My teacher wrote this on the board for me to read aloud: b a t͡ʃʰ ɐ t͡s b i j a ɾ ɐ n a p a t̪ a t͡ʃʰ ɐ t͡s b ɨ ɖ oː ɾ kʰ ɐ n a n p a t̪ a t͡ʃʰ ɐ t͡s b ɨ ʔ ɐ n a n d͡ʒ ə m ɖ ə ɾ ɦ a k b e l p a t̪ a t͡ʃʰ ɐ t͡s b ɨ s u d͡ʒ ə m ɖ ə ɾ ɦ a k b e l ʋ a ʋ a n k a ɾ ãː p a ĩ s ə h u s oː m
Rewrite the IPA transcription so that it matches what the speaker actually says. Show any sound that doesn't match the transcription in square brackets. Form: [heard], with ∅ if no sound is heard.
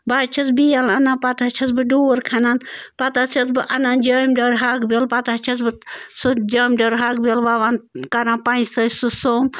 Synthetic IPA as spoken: b a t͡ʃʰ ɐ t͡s b i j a [l] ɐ n a p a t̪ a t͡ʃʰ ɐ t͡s b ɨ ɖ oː ɾ kʰ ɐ n a n p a t̪ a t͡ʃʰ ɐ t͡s b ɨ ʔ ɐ n a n d͡ʒ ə m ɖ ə ɾ ɦ a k b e l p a t̪ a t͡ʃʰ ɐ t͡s b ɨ s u d͡ʒ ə m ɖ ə ɾ ɦ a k b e l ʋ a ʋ a n k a ɾ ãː p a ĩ s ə [s] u s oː m